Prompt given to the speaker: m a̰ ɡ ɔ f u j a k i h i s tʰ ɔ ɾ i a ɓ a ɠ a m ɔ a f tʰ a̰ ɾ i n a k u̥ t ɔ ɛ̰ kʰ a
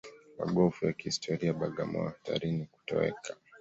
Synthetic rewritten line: m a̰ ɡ ɔ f u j a k i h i s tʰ ɔ ɾ i a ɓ a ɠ a m ɔ a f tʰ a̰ ɾ i n i k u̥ t ɔ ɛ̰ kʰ a